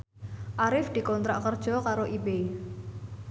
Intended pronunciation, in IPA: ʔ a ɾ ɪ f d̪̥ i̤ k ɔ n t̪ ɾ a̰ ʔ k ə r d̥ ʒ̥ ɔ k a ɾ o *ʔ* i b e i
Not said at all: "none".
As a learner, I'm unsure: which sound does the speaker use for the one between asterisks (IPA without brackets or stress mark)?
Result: ʔ